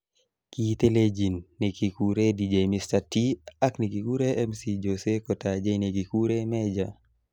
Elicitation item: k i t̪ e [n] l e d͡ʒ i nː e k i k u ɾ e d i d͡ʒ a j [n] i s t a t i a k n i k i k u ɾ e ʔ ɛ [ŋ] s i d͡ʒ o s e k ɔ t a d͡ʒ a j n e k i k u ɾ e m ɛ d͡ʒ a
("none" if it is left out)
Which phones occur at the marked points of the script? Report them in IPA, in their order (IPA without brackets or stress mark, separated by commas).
none, m, m